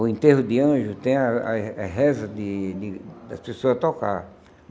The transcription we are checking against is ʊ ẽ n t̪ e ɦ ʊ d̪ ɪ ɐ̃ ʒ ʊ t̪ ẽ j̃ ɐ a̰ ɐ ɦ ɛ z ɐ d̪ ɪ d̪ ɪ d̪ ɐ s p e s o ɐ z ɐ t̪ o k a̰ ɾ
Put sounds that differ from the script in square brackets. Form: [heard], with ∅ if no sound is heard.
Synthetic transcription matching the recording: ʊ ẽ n t̪ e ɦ ʊ d̪ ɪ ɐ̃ ʒ ʊ t̪ ẽ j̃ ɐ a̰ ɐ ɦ ɛ z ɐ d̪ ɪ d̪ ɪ d̪ ɐ s p e s o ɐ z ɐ t̪ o k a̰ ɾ